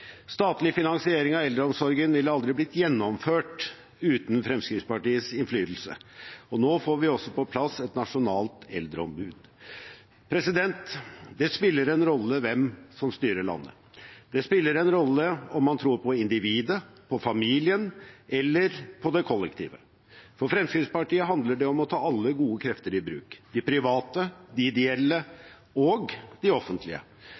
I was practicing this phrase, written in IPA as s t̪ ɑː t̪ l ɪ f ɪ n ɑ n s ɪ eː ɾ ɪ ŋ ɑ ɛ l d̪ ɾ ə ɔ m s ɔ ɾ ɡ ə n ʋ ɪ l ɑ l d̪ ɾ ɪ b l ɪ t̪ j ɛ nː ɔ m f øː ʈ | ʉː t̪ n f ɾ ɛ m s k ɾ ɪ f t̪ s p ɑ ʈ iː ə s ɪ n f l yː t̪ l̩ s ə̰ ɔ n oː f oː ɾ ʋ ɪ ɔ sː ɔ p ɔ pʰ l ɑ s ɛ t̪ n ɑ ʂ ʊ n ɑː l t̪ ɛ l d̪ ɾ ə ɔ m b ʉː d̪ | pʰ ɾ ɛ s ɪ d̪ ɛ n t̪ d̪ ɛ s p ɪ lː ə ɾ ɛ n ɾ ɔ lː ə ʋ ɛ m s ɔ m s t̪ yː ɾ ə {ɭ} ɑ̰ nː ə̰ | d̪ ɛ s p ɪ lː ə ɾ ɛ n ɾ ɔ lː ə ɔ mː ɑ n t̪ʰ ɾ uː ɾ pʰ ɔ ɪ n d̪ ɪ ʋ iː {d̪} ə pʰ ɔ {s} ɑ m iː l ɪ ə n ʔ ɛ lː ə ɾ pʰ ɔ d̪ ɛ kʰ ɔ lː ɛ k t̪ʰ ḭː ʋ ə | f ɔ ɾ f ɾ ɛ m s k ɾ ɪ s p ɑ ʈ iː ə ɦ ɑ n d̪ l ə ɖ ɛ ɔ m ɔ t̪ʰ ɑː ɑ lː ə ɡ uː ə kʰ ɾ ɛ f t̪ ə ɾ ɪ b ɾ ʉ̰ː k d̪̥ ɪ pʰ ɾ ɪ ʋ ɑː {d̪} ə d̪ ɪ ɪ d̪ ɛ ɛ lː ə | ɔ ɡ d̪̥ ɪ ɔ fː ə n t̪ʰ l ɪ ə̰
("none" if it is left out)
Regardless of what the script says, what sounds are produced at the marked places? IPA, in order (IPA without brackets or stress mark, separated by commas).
ɭ, d̪, f, t̪